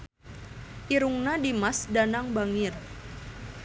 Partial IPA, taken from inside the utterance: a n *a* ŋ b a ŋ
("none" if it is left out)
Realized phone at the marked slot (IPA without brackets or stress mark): a